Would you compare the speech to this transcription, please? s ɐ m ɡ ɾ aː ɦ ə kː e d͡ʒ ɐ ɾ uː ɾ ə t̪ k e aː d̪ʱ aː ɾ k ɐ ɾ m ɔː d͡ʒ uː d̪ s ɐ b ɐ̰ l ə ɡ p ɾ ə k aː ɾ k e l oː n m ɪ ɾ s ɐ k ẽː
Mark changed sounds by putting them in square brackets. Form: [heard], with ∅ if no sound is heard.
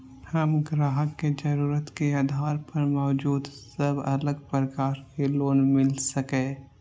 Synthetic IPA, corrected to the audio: [h] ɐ m ɡ ɾ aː ɦ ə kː e d͡ʒ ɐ ɾ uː ɾ ə t̪ k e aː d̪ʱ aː ɾ [p] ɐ ɾ m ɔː d͡ʒ uː d̪ s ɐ b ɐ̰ l ə ɡ p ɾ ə k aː ɾ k e l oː n m ɪ [l] s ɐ k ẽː